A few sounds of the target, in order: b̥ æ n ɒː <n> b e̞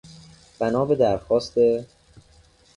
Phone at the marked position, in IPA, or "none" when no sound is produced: none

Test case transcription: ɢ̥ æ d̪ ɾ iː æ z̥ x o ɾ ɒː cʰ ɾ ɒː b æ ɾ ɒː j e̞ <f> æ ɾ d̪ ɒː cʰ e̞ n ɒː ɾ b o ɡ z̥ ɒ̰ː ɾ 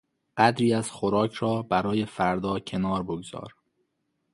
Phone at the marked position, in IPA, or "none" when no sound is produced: f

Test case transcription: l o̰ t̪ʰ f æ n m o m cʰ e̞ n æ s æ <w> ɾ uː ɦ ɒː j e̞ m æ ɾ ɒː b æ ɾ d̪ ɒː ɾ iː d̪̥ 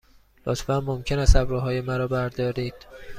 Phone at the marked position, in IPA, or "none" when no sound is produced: b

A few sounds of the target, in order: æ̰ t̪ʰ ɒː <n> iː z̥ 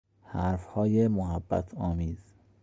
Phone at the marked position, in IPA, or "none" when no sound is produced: m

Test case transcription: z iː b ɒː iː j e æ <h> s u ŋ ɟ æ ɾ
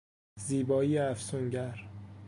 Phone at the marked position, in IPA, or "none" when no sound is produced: f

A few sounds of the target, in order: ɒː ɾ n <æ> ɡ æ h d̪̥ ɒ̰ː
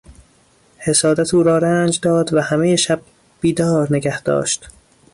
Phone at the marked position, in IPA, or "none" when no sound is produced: e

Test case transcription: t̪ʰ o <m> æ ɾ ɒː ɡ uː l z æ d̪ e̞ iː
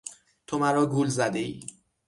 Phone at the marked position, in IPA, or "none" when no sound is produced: m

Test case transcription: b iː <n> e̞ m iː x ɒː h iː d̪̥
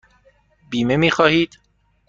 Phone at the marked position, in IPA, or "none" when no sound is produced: m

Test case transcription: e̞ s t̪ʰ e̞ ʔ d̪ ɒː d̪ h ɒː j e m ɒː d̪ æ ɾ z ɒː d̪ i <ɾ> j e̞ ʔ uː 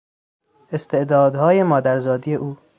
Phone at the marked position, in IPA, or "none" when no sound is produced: none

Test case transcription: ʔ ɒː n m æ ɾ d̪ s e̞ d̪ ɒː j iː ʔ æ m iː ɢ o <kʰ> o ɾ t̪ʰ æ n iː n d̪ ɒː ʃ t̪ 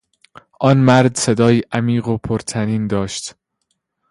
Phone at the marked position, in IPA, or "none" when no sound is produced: pʰ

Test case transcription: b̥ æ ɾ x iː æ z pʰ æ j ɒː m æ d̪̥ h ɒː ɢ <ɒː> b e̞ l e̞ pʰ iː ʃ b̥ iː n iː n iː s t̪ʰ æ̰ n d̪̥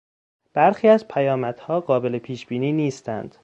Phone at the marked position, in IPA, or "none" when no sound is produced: ɒː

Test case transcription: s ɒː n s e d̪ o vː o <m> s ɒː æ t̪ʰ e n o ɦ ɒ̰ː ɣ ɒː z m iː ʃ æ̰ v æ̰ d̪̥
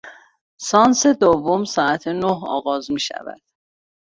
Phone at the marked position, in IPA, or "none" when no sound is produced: m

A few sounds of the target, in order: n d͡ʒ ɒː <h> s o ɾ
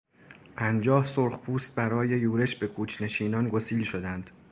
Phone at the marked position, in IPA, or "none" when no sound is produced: h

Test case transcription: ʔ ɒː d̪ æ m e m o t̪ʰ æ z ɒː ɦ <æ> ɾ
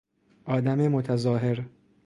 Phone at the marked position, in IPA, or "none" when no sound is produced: e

